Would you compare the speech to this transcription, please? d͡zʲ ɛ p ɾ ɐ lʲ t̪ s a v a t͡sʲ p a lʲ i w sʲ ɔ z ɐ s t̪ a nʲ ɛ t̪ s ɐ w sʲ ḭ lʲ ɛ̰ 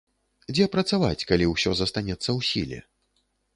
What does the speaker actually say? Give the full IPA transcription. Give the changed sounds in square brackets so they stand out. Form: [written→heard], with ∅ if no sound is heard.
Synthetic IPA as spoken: d͡zʲ ɛ p ɾ ɐ [lʲ→∅] t̪ s a v a t͡sʲ [p→k] a lʲ i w sʲ ɔ z ɐ s t̪ a nʲ ɛ t̪ [s→sː] ɐ w sʲ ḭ lʲ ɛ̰

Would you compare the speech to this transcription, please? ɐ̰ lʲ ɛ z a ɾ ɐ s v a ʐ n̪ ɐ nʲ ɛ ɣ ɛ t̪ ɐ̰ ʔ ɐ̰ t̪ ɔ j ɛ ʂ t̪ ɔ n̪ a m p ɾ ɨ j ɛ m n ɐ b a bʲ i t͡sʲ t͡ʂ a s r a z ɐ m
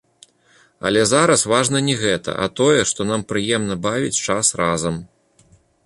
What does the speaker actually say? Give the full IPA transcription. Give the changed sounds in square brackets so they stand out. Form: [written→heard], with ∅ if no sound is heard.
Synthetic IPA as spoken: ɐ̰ lʲ ɛ z a ɾ ɐ s v a ʐ n̪ ɐ nʲ ɛ ɣ ɛ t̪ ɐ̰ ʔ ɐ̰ t̪ ɔ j ɛ ʂ t̪ ɔ n̪ a m p ɾ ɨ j ɛ m n ɐ b a [bʲ→vʲ] i t͡sʲ t͡ʂ a s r a z ɐ m

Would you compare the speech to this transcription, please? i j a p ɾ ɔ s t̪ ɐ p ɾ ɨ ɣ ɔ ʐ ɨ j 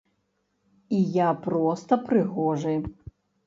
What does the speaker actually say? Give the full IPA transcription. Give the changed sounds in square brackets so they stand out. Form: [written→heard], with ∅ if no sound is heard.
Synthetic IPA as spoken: i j a p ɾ ɔ s t̪ ɐ p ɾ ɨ ɣ ɔ ʐ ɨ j

